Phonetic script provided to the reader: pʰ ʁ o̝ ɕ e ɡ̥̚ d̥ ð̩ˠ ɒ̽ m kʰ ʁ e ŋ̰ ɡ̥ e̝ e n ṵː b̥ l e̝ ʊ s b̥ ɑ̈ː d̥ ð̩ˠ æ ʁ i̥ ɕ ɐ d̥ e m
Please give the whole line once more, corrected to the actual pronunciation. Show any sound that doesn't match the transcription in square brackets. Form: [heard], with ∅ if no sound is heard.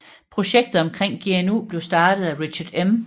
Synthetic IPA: pʰ ʁ o̝ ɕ e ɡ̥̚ d̥ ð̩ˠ ɒ̽ m kʰ ʁ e ŋ̰ ɡ̥ e̝ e n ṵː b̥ l e̝ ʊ s [d̥] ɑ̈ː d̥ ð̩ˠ æ ʁ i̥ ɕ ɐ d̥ e m